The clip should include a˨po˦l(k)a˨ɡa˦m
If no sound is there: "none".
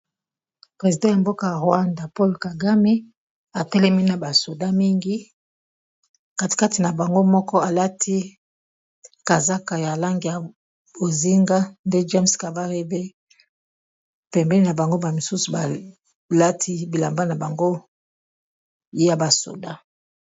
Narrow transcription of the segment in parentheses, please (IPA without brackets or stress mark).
k